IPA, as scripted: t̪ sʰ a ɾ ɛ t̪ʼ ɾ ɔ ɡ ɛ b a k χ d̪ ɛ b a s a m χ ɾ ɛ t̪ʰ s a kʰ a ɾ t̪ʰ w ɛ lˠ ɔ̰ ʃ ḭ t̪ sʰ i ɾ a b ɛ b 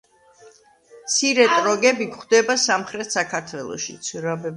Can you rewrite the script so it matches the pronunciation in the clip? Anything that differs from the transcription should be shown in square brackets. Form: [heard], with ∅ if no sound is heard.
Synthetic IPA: t̪ sʰ [i] ɾ ɛ t̪ʼ ɾ ɔ ɡ ɛ b [i] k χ d̪ ɛ b a s a m χ ɾ ɛ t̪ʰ s a kʰ a ɾ t̪ʰ w ɛ lˠ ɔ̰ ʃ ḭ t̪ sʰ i ɾ a b ɛ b